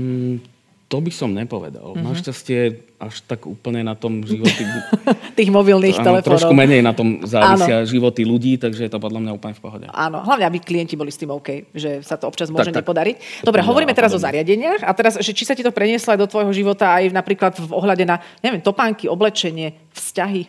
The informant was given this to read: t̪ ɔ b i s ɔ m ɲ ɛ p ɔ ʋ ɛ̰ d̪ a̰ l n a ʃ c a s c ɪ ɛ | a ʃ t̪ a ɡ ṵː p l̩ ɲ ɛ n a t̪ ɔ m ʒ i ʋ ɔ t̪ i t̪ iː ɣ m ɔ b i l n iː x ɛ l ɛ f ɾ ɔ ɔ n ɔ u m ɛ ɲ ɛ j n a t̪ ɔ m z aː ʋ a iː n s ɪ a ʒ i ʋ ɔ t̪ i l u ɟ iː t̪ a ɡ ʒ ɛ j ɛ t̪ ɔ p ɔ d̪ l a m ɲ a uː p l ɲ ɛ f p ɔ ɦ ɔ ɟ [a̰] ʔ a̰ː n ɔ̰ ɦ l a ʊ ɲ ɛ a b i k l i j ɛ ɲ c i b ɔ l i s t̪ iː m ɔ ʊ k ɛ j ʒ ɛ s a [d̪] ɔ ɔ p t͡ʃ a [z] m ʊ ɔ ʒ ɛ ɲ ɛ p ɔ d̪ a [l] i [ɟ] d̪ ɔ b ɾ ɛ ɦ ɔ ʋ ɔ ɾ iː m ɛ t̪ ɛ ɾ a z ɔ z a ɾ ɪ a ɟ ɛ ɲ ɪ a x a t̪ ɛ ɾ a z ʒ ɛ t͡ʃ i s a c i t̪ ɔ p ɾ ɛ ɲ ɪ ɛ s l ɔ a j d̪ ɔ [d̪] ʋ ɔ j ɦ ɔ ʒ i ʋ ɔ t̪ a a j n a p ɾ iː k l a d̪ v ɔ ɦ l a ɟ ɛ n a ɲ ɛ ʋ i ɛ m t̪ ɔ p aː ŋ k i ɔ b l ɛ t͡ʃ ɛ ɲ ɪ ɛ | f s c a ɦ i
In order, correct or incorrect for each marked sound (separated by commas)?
incorrect, incorrect, correct, incorrect, incorrect, incorrect